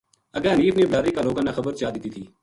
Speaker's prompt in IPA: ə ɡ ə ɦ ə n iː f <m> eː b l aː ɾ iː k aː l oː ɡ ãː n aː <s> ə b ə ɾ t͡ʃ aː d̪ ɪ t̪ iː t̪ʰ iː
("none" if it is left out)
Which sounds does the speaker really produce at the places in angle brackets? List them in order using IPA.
n, x

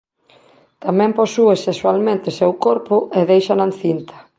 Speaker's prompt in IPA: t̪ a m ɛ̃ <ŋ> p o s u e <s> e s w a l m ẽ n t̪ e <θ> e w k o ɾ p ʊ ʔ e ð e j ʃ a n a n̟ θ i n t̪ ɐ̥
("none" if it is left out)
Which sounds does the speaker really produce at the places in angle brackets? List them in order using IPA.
m, s, s

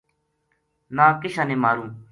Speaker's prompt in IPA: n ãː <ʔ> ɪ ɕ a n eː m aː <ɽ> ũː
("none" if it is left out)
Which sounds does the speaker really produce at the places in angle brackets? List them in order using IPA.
k, ɾ

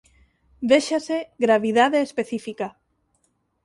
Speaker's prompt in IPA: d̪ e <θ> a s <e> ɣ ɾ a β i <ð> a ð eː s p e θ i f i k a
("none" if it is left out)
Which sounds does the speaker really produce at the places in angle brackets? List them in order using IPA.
ʃ, e, ð

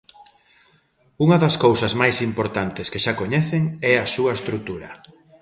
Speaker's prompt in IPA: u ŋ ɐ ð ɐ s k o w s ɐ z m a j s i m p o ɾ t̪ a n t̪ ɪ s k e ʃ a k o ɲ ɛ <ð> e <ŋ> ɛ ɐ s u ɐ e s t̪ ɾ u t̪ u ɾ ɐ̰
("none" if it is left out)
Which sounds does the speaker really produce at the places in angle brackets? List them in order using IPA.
θ, ŋ

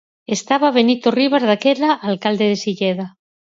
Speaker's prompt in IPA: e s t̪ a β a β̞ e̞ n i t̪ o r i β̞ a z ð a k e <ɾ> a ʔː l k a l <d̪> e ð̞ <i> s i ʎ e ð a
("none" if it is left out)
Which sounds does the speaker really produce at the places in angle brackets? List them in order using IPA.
l, d̪, e

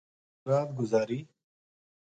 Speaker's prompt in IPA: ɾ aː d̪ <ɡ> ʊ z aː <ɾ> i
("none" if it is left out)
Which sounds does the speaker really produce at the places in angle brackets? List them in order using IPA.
ɡ, ɾ

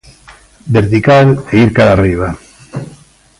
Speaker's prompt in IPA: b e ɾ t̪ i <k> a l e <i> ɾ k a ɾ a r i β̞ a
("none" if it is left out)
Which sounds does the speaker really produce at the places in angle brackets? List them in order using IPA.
k, i

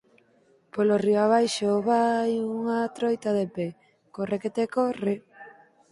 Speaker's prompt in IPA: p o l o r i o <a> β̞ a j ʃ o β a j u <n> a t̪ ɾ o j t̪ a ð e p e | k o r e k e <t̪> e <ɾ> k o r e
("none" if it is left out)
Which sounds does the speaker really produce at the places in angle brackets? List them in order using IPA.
a, ŋ, t̪, none

